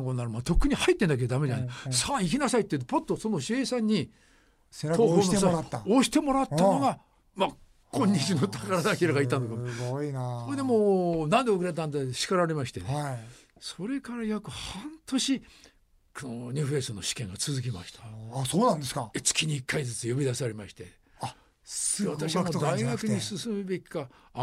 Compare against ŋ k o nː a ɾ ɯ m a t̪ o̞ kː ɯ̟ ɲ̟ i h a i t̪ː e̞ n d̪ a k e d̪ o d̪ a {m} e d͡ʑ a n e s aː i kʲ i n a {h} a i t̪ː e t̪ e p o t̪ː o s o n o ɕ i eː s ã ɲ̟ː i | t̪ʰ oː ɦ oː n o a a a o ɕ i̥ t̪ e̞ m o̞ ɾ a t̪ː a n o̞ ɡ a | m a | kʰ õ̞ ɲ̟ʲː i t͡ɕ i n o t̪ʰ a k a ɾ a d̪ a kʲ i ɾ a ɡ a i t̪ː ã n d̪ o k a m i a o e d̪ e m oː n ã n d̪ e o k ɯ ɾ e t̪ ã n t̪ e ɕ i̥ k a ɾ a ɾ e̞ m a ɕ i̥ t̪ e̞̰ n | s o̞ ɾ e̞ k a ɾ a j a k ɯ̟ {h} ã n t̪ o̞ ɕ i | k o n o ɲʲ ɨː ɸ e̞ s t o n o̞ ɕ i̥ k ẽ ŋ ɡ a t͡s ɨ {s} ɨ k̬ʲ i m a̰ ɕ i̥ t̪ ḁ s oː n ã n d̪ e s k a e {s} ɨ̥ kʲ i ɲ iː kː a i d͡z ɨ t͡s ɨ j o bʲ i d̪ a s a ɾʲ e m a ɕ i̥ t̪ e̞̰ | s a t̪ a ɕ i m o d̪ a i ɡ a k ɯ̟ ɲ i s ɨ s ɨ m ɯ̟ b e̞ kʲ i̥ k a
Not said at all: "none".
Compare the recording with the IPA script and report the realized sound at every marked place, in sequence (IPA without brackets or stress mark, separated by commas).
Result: m, s, h, z, t͡s